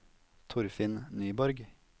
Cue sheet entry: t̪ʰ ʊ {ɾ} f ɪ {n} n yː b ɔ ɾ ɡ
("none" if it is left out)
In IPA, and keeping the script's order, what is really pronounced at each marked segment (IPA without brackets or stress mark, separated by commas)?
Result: ɾ, n